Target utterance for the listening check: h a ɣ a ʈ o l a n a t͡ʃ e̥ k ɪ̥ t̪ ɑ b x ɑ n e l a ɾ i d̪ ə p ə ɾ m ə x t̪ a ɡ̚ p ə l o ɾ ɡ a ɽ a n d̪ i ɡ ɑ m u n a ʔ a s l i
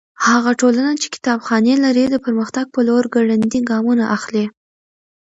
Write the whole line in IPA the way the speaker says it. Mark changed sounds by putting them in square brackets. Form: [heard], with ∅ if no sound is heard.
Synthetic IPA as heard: h a ɣ a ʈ o l a n a t͡ʃ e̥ k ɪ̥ t̪ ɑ b x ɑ n e l a ɾ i d̪ ə p ə ɾ m ə x t̪ a ɡ̚ p ə l o ɾ ɡ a ɽ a n d̪ i ɡ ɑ m u n a ʔ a [x] l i